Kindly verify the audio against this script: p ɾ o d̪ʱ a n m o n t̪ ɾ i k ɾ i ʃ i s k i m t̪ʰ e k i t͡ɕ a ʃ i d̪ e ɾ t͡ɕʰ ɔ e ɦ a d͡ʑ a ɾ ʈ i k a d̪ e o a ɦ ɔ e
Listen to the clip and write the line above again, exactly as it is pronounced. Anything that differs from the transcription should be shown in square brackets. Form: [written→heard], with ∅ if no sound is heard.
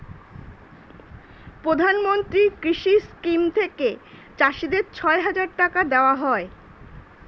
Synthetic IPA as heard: p ɾ o d̪ʱ a n m o n t̪ ɾ i k ɾ i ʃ i s k i m t̪ʰ e k [i→e] t͡ɕ a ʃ i d̪ e ɾ t͡ɕʰ ɔ e ɦ a d͡ʑ a ɾ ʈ [i→a] k a d̪ e o a ɦ ɔ e